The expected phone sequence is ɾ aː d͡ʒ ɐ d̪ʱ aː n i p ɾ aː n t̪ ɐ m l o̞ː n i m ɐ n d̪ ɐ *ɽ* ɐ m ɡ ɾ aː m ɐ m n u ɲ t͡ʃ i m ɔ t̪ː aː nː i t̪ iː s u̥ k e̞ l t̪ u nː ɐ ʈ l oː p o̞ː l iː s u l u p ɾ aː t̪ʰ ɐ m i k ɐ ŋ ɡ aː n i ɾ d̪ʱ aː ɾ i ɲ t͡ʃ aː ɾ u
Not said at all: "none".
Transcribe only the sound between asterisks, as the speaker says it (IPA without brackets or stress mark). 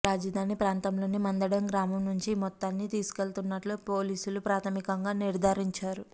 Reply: ɽ